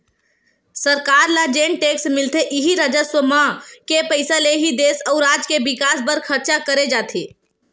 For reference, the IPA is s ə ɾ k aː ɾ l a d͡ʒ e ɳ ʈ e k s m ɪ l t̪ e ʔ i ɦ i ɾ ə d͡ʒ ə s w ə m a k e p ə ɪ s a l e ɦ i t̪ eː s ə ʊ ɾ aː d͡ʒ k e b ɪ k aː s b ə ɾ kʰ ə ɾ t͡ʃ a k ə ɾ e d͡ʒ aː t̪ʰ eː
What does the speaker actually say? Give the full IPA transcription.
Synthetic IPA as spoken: s ə ɾ k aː ɾ l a d͡ʒ e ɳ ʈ e k s m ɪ l t̪ e ʔ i ɦ i ɾ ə d͡ʒ ə s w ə m a k e p ə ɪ s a l e ɦ i d̪ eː s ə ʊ ɾ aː d͡ʒ k e b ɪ k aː s b ə ɾ kʰ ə ɾ t͡ʃ a k ə ɾ e d͡ʒ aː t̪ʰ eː